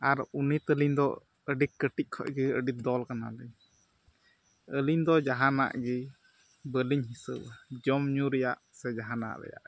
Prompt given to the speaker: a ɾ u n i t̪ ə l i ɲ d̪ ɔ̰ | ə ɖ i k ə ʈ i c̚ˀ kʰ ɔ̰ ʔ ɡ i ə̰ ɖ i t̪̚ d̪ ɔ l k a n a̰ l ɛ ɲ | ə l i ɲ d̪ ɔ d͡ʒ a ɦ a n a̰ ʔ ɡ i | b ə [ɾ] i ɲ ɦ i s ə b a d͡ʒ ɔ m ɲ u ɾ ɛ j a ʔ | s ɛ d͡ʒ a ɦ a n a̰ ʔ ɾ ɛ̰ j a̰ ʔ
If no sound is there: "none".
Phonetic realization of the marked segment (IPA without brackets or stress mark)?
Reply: l